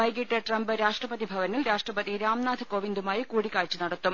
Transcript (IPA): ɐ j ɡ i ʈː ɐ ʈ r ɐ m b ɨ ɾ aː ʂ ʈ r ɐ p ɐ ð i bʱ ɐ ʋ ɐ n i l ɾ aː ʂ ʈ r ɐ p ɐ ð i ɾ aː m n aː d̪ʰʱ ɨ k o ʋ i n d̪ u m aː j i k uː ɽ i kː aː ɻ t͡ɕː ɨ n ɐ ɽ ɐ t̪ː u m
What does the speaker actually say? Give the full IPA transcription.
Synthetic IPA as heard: ɐ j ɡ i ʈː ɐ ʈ r ɐ m b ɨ ɾ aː ʂ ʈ r ɐ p ɐ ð i bʱ ɐ ʋ ɐ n i l ɾ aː ʂ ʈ r ɐ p ɐ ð i ɾ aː m n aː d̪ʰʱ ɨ k o ʋ i n d̪ u m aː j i k uː ɽ i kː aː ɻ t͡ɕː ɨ n ɐ ɽ ɐ t̪ː u m